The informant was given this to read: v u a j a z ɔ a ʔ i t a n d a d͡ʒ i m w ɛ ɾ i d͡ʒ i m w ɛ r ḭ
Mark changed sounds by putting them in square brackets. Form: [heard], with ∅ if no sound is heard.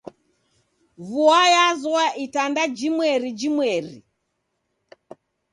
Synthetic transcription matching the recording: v u a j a z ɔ a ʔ i t a n d a d͡ʒ i m w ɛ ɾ i d͡ʒ i m w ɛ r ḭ

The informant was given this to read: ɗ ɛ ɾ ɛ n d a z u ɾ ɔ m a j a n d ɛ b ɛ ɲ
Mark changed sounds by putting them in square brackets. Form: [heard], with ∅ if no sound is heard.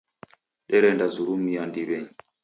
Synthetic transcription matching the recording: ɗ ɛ ɾ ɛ n d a z u ɾ [u] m [i] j a n d [i] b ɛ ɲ

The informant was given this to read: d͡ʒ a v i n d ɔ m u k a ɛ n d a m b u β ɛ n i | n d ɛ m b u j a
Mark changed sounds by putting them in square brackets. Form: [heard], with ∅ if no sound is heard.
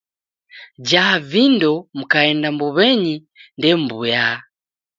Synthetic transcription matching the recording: d͡ʒ a v i n d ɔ m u k a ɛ n d a m b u β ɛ [ɲ] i | n d ɛ m b u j a

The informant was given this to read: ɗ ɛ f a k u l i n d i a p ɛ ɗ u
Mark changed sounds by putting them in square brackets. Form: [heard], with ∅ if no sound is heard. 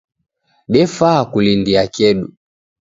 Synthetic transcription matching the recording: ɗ ɛ f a k u l i n d i a [k] ɛ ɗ u

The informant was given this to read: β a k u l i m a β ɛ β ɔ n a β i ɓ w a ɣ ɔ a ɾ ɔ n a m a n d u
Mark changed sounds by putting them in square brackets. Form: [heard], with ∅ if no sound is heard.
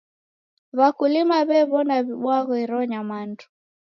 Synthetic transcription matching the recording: β a k u l i m a β ɛ β ɔ n a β i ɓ w a ɣ ɔ [i] ɾ ɔ [ɲ] a m a n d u

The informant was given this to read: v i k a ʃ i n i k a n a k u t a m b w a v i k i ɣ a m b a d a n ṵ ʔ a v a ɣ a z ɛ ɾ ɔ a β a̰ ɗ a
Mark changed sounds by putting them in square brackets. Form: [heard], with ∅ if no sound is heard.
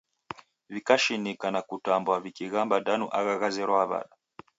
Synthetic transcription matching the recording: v i k a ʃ i n i k a n a k u t a m b w a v i k i ɣ a m b a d a n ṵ ʔ a [ɣ] a ɣ a z ɛ ɾ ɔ a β a̰ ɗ a

